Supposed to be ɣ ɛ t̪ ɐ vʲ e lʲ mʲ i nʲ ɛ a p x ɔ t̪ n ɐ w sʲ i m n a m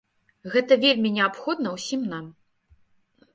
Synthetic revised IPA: ɣ ɛ t̪ ɐ vʲ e lʲ mʲ i nʲ ɛ a p x ɔ d̪ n ɐ w sʲ i m n a m